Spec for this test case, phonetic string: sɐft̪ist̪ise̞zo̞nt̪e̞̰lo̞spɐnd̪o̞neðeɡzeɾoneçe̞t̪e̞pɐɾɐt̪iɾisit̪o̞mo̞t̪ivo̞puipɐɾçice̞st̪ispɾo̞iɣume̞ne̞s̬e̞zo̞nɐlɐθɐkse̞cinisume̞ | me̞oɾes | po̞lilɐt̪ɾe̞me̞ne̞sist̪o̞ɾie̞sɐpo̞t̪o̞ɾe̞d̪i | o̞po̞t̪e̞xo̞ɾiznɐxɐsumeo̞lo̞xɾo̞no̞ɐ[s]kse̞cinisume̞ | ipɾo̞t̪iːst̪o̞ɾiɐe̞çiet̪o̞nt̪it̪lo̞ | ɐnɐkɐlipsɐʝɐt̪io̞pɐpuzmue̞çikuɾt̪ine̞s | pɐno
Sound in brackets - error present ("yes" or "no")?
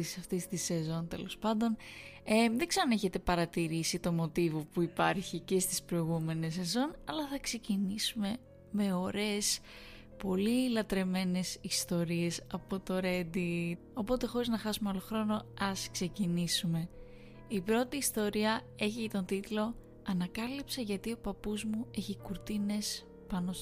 no